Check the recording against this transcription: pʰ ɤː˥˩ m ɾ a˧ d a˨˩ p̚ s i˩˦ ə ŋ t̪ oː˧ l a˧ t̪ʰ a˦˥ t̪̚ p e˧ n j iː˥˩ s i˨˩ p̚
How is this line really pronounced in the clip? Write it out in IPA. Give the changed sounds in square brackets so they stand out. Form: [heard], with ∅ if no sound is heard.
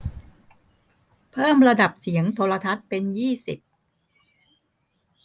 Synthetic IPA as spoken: pʰ ɤː˥˩ m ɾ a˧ d a˨˩ p̚ s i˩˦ ə ŋ [t̪ʰ] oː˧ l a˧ t̪ʰ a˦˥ t̪̚ p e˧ n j iː˥˩ s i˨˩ p̚